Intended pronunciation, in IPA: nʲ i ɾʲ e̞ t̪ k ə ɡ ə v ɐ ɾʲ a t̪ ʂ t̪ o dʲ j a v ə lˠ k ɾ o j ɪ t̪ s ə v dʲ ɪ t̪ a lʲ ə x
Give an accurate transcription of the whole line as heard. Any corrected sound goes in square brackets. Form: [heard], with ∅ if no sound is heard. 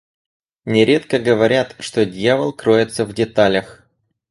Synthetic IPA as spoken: nʲ [ɪ] ɾʲ e̞ t̪ k ə ɡ ə v ɐ ɾʲ a t̪ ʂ t̪ o dʲ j a v ə lˠ k ɾ o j ɪ t̪ s ə v dʲ ɪ t̪ a lʲ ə x